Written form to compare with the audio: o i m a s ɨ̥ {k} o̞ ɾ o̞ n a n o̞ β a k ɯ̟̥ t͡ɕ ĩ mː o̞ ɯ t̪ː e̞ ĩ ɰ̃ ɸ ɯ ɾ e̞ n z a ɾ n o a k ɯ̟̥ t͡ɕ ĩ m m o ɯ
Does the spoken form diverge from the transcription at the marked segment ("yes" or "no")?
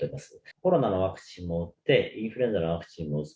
no